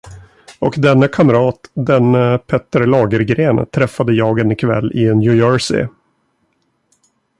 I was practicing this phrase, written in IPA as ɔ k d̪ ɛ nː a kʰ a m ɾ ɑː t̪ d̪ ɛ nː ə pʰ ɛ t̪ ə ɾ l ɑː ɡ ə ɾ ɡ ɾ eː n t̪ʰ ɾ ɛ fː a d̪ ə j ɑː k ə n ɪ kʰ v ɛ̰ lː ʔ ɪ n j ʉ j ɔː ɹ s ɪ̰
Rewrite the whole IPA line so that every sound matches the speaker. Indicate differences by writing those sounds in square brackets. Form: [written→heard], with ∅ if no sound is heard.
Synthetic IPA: ɔ k d̪ ɛ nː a kʰ a m ɾ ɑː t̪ d̪ ɛ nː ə pʰ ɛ t̪ ə ɾ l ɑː ɡ ə ɾ ɡ ɾ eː n t̪ʰ ɾ ɛ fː a d̪ ə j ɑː [k→ɡ] ə n ɪ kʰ v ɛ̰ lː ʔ ɪ n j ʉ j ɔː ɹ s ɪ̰